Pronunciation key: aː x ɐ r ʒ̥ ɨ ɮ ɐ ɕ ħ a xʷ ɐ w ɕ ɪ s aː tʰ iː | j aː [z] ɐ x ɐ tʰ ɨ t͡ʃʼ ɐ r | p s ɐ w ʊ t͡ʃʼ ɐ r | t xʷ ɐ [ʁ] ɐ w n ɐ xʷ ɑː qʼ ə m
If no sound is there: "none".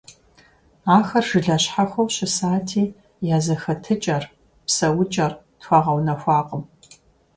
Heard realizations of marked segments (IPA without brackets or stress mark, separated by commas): z, ʁ